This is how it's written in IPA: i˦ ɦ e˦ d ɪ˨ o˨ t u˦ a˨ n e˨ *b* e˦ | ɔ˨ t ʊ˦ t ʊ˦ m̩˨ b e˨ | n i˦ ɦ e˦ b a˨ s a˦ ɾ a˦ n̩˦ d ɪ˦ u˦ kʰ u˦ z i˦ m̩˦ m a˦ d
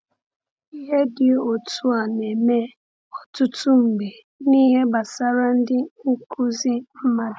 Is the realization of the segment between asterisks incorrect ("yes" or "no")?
yes